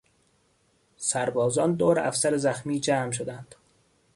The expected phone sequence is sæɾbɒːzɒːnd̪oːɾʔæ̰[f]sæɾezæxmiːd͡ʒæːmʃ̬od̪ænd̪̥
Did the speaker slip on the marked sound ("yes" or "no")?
no